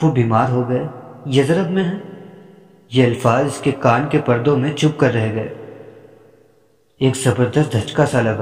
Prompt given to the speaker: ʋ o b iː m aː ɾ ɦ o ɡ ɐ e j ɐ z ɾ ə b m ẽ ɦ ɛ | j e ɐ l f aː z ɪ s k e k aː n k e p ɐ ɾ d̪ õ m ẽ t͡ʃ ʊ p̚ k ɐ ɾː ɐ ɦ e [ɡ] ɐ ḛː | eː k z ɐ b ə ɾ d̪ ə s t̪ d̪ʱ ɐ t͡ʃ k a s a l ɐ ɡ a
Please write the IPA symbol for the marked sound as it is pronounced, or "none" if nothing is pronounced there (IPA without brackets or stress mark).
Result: ɡ